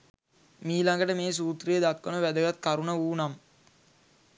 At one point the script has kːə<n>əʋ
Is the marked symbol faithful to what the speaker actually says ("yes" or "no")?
yes